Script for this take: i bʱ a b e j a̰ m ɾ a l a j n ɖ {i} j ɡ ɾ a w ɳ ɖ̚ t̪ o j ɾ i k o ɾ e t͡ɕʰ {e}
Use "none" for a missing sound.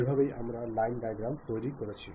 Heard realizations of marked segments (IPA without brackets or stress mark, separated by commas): a, i